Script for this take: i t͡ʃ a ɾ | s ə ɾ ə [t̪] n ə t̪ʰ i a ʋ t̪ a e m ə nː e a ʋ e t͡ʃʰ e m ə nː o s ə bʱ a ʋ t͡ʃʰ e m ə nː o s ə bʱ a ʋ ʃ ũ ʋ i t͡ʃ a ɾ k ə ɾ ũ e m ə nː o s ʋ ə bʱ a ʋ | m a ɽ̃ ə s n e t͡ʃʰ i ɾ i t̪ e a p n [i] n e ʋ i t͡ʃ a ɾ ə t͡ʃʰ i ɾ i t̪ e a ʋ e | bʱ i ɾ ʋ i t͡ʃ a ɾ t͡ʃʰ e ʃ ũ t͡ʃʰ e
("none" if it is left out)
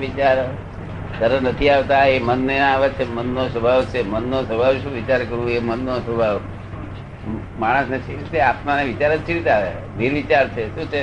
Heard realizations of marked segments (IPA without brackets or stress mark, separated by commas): none, a